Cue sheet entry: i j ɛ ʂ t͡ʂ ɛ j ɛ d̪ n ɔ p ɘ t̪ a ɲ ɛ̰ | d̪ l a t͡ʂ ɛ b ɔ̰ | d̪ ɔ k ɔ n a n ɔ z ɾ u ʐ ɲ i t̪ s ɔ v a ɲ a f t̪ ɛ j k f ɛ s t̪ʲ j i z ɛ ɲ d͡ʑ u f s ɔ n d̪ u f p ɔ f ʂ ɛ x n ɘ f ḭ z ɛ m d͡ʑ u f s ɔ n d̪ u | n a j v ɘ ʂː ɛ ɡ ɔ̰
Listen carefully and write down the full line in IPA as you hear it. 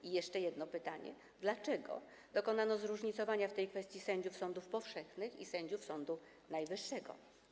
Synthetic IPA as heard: i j ɛ ʂ t͡ʂ ɛ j ɛ d̪ n ɔ p ɘ t̪ a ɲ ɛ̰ | d̪ l a t͡ʂ ɛ ɡ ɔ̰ | d̪ ɔ k ɔ n a n ɔ z ɾ u ʐ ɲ i t̪ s ɔ v a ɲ a f t̪ ɛ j k f ɛ s t̪ʲ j i s ɛ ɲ d͡ʑ u f s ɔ n d̪ u f p ɔ f ʂ ɛ x n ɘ x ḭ s ɛ ɲ d͡ʑ u f s ɔ n d̪ u | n a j v ɘ ʂː ɛ ɡ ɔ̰